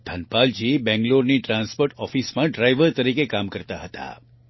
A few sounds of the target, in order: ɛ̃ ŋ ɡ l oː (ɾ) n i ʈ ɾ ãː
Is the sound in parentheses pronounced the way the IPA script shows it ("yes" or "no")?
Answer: yes